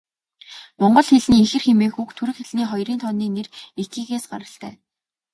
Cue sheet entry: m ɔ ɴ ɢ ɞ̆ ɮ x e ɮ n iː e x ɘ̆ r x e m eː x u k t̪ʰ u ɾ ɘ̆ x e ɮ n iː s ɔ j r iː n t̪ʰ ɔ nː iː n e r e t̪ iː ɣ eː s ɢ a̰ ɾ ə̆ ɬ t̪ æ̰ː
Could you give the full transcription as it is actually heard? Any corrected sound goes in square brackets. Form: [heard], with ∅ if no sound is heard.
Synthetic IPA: m ɔ ɴ ɢ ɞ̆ ɮ x e ɮ n iː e x ɘ̆ r x e m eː x u k t̪ʰ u ɾ ɘ̆ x e ɮ n iː [χ] ɔ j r iː n t̪ʰ ɔ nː iː n e r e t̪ iː ɣ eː s ɢ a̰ ɾ ə̆ ɬ t̪ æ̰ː

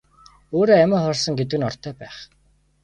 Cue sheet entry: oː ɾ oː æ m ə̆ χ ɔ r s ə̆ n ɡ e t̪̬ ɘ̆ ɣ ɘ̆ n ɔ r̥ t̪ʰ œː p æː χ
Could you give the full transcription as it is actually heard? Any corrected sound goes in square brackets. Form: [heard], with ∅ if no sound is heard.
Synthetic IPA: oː ɾ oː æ m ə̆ χ ɔ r s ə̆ [ŋ] ɡ e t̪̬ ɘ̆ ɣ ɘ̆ n ɔ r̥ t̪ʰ œː p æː χ

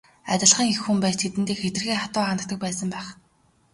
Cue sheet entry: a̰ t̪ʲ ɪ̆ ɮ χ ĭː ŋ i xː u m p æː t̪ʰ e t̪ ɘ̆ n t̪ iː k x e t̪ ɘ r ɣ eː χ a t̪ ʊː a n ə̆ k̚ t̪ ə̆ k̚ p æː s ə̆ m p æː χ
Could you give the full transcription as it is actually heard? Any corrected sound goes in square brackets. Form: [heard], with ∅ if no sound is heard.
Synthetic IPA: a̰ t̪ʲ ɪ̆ ɮ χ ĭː ŋ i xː u m p æː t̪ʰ e t̪ ɘ̆ n t̪ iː k x e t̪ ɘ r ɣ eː χ a t̪ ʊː a n ə̆ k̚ t̪ ə̆ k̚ p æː s ə̆ m p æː χ

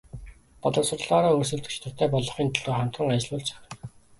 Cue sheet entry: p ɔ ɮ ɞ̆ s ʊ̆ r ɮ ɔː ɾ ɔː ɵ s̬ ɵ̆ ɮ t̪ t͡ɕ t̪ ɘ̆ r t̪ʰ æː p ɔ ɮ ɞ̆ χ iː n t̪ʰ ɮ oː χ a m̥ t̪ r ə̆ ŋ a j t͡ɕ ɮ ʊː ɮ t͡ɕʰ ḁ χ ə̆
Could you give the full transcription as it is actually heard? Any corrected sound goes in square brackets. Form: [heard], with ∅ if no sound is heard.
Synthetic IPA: p ɔ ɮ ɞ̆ s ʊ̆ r ɮ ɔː ɾ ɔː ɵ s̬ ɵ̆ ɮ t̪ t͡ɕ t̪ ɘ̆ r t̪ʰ æː p ɔ ɮ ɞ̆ χ iː n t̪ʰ ɮ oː χ a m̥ t̪ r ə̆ ŋ a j t͡ɕ ɮ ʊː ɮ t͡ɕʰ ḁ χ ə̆

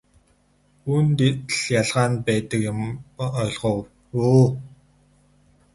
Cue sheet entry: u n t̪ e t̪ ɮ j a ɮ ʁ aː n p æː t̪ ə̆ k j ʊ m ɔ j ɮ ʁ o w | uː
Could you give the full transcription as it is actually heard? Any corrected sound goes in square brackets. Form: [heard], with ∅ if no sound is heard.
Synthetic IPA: u n t̪ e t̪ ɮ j a ɮ ʁ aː n p æː t̪ ə̆ k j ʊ m ɔ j ɮ ʁ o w | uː

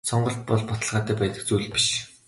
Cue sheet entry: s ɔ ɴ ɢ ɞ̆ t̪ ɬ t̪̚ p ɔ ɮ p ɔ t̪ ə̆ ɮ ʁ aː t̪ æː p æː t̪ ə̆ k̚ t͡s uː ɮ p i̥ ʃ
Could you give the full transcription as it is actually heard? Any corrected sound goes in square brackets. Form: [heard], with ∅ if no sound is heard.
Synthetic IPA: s ɔ ɴ ɢ ɞ̆ [∅] ɬ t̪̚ p ɔ ɮ p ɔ t̪ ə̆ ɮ ʁ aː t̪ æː p æː t̪ ə̆ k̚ t͡s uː ɮ p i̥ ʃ

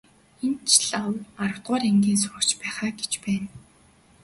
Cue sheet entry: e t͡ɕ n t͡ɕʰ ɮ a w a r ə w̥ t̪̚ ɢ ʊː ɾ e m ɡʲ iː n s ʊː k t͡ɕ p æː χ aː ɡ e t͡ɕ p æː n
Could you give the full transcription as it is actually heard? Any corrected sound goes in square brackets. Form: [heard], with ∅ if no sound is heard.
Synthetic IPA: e [∅] n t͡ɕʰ ɮ a w a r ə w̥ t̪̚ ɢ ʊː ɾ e [ŋ] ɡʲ iː n s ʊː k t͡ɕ p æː χ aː ɡ e t͡ɕ p æː n

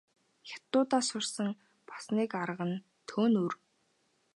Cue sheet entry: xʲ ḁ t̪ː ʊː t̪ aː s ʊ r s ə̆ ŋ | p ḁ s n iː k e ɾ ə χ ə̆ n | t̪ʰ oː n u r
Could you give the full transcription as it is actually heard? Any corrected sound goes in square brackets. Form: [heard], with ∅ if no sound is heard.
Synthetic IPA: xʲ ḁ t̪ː ʊː t̪ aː s ʊ r s ə̆ ŋ | p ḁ s n iː k [a] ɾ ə [ʁ] ə̆ n | t̪ʰ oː n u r

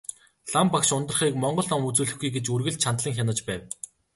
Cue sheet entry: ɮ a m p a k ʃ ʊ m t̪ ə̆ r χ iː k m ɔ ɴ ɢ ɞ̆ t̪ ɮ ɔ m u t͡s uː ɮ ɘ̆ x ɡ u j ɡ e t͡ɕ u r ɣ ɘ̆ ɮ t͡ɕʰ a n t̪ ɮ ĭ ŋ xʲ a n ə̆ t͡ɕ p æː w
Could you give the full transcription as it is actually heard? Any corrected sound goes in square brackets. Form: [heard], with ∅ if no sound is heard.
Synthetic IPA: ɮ a m p a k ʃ ʊ [n] t̪ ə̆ r χ iː k m ɔ ɴ ɢ ɞ̆ [∅] ɮ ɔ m u t͡s uː ɮ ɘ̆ x ɡ u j ɡ e t͡ɕ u r ɣ ɘ̆ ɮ t͡ɕʰ a n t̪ ɮ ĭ ŋ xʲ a n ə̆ t͡ɕ p æː w

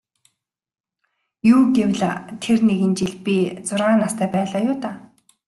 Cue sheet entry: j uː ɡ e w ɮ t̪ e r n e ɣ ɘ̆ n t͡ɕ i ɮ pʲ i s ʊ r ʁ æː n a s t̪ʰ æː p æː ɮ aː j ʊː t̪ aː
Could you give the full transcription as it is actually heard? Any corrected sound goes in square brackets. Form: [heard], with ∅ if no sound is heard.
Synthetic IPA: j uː ɡ e w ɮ [t̪ʰ] e r n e ɣ ɘ̆ n t͡ɕ i ɮ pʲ i [t͡s] ʊ r ʁ [aː] n a s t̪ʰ æː p æː ɮ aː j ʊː t̪ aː

